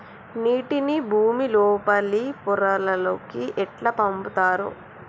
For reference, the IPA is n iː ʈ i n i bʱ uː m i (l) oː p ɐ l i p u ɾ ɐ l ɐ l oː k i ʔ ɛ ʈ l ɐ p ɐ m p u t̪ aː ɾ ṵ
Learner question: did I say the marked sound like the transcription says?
yes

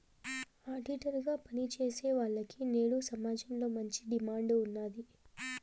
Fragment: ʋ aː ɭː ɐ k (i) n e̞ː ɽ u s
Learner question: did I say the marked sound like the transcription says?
yes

